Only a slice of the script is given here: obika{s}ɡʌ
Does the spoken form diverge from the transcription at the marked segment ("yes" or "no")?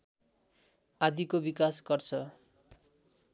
no